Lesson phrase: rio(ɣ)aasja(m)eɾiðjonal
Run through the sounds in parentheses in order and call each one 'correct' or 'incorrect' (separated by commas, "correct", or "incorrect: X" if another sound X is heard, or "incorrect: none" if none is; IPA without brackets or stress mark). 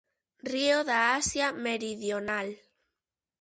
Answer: incorrect: ð, correct